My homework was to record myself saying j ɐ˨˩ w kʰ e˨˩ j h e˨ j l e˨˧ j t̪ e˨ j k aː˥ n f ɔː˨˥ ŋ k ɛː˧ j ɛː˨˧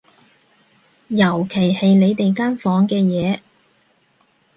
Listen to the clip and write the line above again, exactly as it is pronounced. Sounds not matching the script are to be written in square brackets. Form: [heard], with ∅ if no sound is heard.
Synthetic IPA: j ɐ˨˩ w kʰ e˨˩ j h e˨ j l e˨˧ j t̪ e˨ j k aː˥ n f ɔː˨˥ ŋ k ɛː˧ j ɛː˨˧